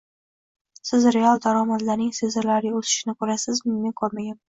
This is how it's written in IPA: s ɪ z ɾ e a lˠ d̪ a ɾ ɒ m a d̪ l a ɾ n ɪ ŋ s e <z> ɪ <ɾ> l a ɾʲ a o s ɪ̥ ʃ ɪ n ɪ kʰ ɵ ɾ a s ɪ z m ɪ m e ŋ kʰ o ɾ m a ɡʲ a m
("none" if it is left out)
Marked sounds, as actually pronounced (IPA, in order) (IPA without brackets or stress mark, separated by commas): z, ɾ